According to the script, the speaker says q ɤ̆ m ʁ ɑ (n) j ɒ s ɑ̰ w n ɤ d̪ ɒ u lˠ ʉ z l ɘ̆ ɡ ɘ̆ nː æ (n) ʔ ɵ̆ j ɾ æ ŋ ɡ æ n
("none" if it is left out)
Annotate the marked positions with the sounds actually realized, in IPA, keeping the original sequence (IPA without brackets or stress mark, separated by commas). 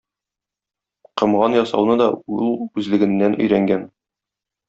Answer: n, n